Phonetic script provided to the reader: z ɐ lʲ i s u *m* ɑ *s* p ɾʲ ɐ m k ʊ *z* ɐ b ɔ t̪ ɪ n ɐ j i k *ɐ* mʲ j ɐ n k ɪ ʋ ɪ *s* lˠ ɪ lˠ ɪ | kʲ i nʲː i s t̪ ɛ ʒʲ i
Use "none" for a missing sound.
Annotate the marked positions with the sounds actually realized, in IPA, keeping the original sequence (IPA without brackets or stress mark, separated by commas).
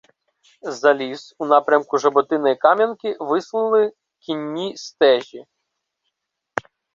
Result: n, none, ʒ, ɑ, s